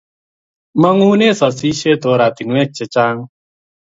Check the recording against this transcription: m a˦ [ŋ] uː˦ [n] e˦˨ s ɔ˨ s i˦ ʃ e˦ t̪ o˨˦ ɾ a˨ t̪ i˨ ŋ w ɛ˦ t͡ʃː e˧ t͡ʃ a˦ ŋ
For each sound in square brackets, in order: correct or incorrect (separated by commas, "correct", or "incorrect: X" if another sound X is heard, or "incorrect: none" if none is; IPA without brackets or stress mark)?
correct, correct